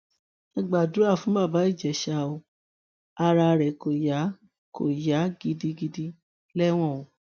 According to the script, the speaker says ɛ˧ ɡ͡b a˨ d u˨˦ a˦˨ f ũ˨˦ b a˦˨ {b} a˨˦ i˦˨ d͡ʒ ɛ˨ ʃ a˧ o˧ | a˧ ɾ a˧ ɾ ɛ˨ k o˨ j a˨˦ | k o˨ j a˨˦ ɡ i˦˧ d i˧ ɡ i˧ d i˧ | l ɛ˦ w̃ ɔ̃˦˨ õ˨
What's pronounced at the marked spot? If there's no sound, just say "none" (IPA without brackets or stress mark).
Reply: b